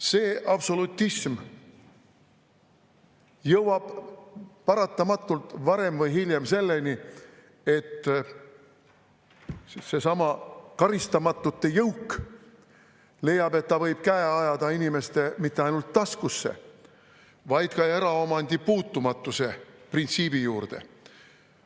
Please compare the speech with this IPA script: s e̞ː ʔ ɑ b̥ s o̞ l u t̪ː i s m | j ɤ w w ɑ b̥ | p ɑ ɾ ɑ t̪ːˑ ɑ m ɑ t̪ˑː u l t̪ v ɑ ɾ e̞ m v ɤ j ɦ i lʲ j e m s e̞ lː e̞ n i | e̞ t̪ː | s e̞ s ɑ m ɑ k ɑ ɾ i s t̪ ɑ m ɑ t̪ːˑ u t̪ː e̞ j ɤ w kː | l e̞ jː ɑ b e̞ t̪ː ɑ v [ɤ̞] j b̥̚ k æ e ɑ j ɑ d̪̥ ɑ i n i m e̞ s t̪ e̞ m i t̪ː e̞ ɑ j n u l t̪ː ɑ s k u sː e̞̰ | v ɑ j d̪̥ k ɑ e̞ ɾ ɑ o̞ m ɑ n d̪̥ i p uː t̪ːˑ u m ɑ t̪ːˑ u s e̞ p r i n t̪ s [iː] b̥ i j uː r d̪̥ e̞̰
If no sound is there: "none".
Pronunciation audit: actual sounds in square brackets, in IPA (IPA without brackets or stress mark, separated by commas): ɤ̞, iː